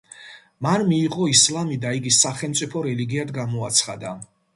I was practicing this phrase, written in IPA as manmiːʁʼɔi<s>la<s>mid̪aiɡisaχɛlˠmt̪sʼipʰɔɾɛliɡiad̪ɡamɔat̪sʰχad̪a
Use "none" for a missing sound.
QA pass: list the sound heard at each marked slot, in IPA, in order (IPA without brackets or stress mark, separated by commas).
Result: s, none